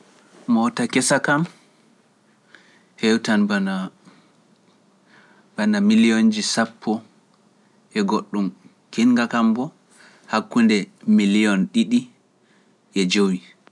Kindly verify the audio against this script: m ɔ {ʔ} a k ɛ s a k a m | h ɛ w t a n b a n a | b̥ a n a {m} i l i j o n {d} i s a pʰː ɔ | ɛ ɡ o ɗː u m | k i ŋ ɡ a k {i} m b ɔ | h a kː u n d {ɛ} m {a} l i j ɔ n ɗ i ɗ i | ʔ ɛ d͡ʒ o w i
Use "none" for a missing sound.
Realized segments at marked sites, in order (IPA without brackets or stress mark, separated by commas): t, m, d͡ʒ, a, ɛ, i